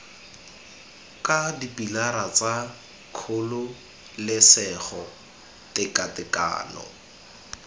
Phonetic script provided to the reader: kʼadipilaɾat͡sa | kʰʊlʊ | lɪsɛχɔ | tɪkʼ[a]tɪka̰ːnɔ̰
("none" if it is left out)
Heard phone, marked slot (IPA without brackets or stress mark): a